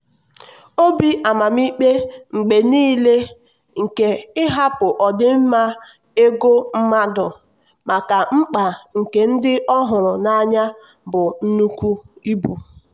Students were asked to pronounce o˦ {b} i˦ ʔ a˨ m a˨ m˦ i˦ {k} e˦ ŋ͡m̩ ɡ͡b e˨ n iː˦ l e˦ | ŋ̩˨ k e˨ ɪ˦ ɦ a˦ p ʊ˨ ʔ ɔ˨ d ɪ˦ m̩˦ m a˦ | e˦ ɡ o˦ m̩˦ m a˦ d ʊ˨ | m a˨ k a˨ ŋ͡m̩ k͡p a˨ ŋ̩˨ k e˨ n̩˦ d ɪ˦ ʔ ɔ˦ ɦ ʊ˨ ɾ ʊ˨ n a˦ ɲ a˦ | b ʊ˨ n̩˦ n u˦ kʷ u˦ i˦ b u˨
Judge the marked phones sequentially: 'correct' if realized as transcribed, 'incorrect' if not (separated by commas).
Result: correct, incorrect